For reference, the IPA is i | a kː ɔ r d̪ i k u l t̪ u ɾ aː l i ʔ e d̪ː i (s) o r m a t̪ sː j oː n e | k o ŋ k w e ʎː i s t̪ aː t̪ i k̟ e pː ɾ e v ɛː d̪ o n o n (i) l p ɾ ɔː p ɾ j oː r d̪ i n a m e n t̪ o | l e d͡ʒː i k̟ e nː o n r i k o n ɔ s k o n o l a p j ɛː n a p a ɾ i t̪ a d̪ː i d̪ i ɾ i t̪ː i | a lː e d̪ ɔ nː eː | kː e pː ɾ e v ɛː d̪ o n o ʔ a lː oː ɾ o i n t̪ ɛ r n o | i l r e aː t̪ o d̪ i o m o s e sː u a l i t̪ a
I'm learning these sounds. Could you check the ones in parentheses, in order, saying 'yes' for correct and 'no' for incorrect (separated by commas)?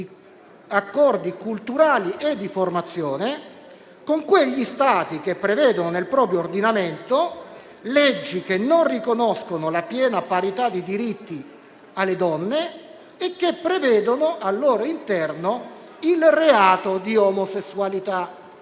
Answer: no, no